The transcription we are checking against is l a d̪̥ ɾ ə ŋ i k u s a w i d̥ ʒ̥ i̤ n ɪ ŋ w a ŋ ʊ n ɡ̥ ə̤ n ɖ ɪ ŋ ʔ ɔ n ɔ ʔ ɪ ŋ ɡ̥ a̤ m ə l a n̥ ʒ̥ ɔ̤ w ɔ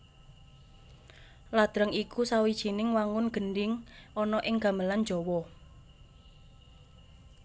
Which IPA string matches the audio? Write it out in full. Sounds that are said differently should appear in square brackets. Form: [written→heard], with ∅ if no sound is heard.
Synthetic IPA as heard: l a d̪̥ ɾ ə ŋ i k u s a w i d̥ ʒ̥ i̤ n ɪ ŋ w a ŋ ʊ n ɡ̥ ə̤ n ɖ ɪ ŋ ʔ ɔ n ɔ ʔ ɪ ŋ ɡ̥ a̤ m ə l a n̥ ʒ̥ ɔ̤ w ɔ